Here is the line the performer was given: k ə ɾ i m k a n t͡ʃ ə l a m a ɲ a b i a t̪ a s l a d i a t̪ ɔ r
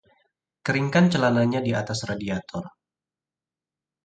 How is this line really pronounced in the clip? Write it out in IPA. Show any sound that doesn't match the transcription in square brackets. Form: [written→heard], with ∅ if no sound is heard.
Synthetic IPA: k ə ɾ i [m→ŋ] k a n t͡ʃ ə l a [m→n] a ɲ a [b→d] i a t̪ a s [l→r] a d i a t̪ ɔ r